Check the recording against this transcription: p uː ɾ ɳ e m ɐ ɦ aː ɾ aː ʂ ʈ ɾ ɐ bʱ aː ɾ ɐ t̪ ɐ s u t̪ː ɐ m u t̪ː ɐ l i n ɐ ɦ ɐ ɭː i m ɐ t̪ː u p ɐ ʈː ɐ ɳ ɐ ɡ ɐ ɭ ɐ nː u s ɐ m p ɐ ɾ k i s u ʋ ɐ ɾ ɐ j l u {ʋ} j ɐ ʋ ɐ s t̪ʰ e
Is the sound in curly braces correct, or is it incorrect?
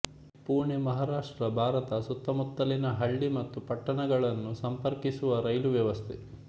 correct